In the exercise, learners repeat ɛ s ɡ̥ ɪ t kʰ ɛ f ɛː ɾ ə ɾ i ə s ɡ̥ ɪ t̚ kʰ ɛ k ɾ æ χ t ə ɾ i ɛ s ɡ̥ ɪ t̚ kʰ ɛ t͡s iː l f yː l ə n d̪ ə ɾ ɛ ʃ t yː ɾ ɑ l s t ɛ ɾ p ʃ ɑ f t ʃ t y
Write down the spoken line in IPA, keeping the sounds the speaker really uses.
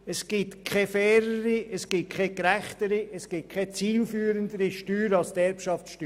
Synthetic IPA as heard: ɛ s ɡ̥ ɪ t kʰ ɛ f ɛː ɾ ə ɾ i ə s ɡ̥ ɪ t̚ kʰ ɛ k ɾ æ χ t ə ɾ i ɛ s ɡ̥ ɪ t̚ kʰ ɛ t͡s iː l f yː ɾ ə n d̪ ə ɾ i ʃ t yː ɾ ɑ l s t ɛ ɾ p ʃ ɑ f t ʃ t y